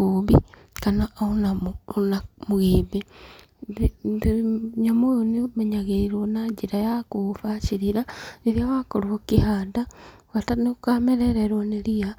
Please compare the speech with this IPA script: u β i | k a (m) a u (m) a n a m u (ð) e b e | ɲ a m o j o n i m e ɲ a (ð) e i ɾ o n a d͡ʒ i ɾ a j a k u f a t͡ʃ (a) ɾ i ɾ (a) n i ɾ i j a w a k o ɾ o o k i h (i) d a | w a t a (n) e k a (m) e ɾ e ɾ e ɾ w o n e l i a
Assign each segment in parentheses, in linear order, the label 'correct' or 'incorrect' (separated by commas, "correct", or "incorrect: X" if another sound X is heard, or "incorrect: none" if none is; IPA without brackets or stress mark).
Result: incorrect: n, incorrect: n, incorrect: ɣ, incorrect: ɣ, incorrect: i, correct, incorrect: a, correct, correct